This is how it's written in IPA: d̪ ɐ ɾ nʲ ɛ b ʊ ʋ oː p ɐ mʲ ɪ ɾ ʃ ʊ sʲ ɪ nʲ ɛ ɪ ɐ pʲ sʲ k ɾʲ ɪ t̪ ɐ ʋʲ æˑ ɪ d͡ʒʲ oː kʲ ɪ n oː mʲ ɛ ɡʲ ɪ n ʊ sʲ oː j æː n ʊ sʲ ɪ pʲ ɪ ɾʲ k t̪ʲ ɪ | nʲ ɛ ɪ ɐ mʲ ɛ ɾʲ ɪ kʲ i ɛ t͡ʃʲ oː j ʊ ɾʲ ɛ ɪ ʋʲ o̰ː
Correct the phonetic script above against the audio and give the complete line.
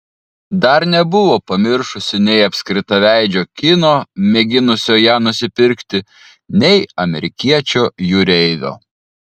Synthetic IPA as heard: d̪ ɐ ɾ nʲ ɛ b ʊ ʋ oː p ɐ mʲ ɪ ɾ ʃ ʊ sʲ ɪ nʲ ɛ ɪ ɐ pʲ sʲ k ɾʲ ɪ t̪ ɐ ʋʲ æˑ ɪ d͡ʒʲ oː kʲ ɪ n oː mʲ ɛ ɡʲ ɪ n ʊ sʲ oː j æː n ʊ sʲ ɪ pʲ ɪ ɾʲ k t̪ʲ ɪ | nʲ ɛ ɪ ɐ mʲ ɛ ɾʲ ɪ kʲ i ɛ t͡ʃʲ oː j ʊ ɾʲ ɛ ɪ ʋʲ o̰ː